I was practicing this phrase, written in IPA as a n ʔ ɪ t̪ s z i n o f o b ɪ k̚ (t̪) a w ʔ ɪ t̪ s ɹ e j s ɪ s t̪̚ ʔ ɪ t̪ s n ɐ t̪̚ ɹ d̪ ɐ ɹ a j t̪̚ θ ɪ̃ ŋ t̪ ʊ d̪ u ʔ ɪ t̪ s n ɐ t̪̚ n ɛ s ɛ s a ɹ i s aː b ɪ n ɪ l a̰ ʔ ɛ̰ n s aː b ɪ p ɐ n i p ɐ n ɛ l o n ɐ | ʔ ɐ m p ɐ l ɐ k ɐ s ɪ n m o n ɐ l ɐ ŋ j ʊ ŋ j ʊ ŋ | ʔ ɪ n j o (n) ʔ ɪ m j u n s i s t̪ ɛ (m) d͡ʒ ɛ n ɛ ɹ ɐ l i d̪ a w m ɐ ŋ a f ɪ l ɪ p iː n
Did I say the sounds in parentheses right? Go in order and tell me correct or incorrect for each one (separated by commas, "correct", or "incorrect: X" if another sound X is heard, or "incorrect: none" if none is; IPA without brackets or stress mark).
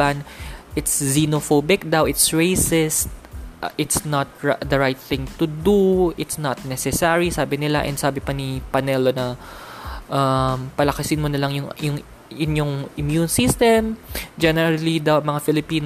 incorrect: d̪, incorrect: ŋ, correct